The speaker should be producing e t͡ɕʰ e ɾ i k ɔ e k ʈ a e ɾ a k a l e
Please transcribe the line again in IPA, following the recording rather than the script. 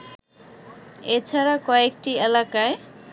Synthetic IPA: e t͡ɕʰ a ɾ a k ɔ e k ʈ i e l a k a e